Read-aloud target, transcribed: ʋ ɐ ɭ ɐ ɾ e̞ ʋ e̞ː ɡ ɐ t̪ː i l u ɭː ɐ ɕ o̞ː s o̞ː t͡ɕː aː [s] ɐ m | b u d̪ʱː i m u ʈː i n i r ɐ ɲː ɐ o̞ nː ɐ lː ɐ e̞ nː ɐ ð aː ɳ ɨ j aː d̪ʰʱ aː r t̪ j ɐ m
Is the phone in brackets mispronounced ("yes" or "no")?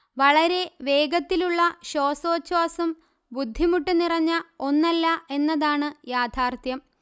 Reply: no